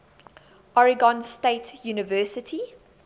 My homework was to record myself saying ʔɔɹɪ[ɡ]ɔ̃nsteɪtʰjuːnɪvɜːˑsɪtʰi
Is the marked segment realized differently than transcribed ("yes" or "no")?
no